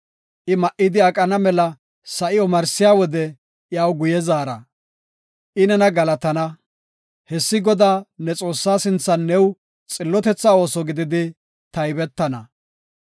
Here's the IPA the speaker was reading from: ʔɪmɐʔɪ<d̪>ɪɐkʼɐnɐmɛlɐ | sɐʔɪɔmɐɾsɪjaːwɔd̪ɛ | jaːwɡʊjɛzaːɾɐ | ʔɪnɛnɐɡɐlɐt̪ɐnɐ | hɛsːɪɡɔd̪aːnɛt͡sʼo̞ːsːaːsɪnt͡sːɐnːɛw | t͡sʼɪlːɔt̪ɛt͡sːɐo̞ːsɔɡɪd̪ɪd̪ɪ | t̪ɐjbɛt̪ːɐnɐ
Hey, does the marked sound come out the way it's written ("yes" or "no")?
yes